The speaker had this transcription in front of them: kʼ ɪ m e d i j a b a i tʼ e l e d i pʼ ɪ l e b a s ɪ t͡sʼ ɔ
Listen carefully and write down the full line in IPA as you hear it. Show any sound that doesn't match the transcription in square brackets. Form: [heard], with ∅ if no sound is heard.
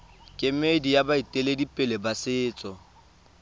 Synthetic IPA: kʼ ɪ m e d i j a b a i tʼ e l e d i pʼ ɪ l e b a s [ɪː] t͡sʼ ɔ